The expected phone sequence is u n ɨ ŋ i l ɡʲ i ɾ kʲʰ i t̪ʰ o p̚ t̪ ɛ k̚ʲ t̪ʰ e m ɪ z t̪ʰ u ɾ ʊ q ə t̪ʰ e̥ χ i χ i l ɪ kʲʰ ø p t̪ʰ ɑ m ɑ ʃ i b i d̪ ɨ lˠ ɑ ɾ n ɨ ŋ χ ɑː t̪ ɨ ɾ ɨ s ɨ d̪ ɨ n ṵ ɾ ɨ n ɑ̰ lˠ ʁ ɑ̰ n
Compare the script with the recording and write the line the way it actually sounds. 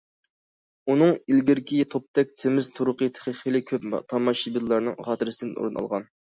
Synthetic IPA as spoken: u n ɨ ŋ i l ɡʲ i ɾ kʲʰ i t̪ʰ o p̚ t̪ ɛ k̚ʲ t̪ʰ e m ɪ z t̪ʰ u ɾ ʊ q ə t̪ʰ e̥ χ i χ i l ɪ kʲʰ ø p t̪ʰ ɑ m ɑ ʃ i b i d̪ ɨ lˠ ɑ ɾ n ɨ ŋ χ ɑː t̪ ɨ ɾ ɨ s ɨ d̪ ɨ n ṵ ɾ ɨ n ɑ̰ lˠ ʁ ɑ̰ n